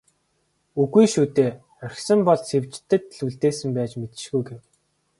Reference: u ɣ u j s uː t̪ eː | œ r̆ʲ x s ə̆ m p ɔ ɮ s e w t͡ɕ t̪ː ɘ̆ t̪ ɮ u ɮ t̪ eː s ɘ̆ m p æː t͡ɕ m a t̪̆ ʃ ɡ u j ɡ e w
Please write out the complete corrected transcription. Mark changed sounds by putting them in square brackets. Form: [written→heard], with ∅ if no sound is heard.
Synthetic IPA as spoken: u ɣ u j [s→ʃ] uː t̪ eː | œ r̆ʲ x s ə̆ m p ɔ ɮ s e w t͡ɕ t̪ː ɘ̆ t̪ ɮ u ɮ t̪ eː s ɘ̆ m p æː t͡ɕ m [a→e] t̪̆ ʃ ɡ u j ɡ e w